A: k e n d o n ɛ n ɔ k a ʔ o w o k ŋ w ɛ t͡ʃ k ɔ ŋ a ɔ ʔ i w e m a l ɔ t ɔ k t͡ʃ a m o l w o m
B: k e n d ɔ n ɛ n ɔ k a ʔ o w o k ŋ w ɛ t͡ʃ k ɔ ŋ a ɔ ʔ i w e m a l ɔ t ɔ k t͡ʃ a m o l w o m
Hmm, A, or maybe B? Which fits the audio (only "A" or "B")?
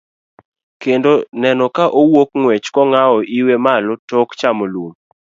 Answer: A